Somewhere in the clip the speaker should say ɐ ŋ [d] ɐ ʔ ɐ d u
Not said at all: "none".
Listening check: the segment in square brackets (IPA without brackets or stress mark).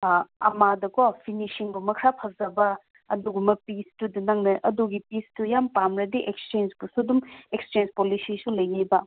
n